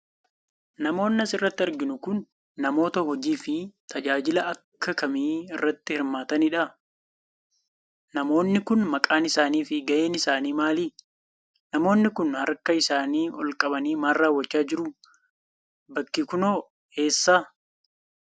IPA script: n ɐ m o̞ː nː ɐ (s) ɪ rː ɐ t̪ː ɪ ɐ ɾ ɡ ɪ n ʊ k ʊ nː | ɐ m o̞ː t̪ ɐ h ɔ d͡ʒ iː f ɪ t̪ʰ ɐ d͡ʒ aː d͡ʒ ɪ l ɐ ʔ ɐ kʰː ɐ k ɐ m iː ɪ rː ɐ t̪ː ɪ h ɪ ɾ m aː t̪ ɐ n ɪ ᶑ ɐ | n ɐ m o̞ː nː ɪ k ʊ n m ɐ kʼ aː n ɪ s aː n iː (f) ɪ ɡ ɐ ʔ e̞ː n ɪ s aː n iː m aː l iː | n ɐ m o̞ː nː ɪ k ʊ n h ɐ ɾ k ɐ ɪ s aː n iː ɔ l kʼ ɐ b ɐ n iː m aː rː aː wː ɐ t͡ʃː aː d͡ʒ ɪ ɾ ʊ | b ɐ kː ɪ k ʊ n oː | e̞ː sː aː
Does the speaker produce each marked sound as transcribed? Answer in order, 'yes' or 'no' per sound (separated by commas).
yes, yes